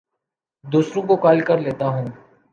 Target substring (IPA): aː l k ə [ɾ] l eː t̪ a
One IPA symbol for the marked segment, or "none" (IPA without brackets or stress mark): ɾ